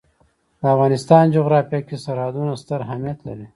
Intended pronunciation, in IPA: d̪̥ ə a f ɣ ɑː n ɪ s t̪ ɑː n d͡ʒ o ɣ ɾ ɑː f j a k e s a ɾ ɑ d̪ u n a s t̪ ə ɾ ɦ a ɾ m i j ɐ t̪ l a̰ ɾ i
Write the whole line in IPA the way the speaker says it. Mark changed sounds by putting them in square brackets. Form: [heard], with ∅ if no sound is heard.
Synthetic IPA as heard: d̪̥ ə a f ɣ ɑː n ɪ s t̪ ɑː n d͡ʒ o ɣ ɾ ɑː f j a k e s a ɾ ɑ d̪ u n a s t̪ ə ɾ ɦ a [∅] m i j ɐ t̪ l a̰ ɾ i